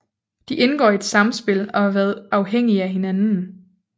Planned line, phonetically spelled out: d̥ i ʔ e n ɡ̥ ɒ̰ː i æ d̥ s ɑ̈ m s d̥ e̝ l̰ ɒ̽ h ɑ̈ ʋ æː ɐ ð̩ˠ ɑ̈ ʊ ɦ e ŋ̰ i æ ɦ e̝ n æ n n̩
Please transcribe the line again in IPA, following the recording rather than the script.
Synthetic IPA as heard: d̥ i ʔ e n ɡ̥ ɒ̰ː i e d̥ s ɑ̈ m s b̥ e̝ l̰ ɒ̽ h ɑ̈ ʋ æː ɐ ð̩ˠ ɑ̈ ʊ ɦ e ŋ̰ i æ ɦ e̝ n æ n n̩